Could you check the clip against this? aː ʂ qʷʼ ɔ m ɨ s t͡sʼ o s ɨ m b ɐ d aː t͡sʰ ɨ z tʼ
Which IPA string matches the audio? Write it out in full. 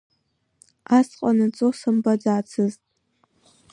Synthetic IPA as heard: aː s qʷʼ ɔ n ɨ t͡sʼ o s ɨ m b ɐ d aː t͡sʰ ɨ z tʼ